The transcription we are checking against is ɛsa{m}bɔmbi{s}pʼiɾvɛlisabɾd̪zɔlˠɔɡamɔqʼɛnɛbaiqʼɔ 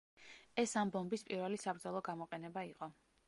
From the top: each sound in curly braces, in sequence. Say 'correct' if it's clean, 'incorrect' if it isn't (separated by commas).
correct, correct